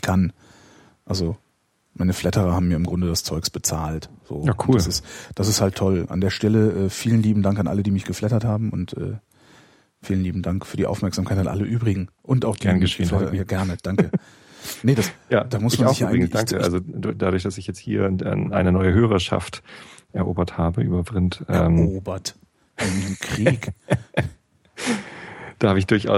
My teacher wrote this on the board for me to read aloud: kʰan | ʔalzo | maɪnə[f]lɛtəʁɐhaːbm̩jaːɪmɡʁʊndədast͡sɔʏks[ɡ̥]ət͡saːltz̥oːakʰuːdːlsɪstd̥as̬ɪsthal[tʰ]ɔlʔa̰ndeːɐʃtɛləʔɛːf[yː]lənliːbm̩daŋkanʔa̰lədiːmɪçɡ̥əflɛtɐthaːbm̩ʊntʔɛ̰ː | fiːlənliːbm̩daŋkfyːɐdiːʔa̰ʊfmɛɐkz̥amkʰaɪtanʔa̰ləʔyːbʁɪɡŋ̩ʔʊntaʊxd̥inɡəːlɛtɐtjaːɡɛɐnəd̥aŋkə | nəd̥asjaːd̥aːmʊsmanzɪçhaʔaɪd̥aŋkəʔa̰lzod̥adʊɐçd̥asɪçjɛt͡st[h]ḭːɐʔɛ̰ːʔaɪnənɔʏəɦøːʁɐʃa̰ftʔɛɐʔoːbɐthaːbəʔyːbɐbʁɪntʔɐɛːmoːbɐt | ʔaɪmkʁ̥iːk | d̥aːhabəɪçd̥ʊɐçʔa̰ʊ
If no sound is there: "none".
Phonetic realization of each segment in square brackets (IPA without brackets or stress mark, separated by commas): f, b̥, tʰ, iː, h